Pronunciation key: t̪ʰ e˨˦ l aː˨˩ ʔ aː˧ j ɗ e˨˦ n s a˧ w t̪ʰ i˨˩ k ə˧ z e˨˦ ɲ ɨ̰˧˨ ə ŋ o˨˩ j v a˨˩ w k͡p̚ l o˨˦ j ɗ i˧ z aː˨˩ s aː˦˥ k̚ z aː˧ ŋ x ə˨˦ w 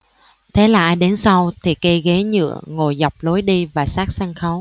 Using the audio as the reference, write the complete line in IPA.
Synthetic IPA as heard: t̪ʰ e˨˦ l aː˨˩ ʔ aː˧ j ɗ e˨˦ n s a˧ w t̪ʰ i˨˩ k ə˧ ɣ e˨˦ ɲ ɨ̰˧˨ ə ŋ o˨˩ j z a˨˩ w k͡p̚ l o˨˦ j ɗ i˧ v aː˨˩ s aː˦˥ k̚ s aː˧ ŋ x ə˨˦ w